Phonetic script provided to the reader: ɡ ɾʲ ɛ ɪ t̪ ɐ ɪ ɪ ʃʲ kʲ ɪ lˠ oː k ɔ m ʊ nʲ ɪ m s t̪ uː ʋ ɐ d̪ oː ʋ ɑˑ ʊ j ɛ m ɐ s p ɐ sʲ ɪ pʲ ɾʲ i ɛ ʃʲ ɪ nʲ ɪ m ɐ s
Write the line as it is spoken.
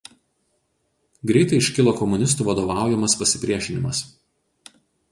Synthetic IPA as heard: ɡ ɾʲ ɛ ɪ t̪ ɐ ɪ ɪ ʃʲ kʲ ɪ lˠ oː k ɔ m ʊ nʲ ɪ s t̪ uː ʋ ɐ d̪ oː ʋ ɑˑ ʊ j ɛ m ɐ s p ɐ sʲ ɪ pʲ ɾʲ i ɛ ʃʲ ɪ nʲ ɪ m ɐ s